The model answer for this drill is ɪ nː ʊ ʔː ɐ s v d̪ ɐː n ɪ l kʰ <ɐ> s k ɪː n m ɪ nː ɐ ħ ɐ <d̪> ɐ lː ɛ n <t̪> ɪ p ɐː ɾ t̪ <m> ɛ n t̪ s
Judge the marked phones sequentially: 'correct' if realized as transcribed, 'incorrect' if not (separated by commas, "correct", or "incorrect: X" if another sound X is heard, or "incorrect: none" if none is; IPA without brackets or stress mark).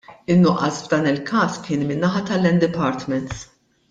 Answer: incorrect: ɐː, incorrect: t̪, incorrect: d̪, correct